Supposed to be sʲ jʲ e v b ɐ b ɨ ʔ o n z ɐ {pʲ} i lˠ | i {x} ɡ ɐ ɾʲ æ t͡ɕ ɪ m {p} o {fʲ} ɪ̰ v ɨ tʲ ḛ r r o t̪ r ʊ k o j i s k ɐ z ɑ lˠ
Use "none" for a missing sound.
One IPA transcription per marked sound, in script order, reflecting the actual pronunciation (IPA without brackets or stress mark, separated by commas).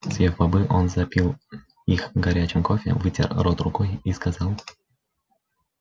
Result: pʲ, x, k, fʲ